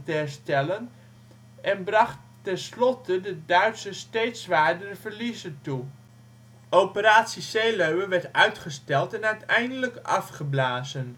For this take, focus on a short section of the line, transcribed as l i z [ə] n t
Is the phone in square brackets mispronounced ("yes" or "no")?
no